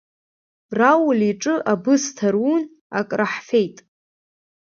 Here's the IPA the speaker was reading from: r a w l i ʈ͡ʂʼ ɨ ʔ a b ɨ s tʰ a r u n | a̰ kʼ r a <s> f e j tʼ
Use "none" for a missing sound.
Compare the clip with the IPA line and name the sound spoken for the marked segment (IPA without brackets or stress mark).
ħ